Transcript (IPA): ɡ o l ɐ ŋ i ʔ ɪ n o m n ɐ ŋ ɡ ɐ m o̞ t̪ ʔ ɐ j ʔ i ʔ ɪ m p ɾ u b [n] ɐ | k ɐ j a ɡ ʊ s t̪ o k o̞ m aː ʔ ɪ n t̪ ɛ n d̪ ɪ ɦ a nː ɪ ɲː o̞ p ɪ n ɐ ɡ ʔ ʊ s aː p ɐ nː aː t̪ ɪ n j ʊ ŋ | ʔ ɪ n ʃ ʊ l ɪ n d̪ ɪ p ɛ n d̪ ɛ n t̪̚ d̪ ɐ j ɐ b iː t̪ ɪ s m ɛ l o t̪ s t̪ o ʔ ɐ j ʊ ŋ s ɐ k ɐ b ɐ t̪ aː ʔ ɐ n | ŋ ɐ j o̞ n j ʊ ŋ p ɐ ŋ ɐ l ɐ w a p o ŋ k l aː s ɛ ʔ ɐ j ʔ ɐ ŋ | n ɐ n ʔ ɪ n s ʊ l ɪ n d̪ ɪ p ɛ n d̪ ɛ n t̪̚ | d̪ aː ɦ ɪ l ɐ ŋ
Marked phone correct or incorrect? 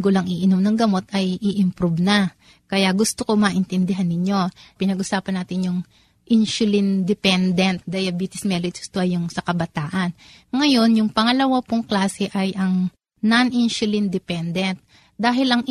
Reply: correct